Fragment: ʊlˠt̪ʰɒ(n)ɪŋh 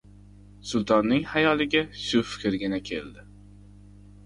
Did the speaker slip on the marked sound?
yes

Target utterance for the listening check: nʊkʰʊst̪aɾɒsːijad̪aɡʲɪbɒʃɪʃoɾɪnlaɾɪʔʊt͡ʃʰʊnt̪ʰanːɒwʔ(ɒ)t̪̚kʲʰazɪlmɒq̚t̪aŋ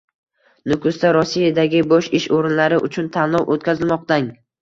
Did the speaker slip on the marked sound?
yes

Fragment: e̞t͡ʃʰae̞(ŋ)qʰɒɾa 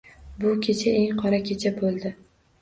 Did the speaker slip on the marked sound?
no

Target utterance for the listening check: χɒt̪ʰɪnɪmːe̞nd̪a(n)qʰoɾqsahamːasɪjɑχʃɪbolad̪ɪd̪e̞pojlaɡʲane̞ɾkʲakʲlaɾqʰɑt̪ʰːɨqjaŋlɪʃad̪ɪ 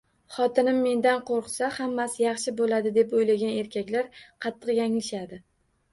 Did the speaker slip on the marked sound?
no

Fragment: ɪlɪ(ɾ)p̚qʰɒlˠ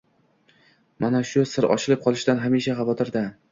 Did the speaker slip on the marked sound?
yes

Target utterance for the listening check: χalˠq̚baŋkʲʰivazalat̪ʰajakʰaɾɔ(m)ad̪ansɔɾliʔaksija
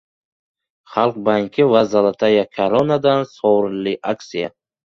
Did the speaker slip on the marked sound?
yes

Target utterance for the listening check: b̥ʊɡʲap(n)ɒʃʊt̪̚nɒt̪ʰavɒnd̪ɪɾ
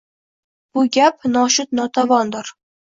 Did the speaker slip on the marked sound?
no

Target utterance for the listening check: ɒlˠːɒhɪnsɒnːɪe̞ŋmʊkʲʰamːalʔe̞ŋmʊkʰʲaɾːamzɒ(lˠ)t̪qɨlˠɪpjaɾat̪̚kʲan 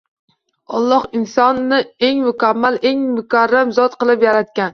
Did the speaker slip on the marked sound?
yes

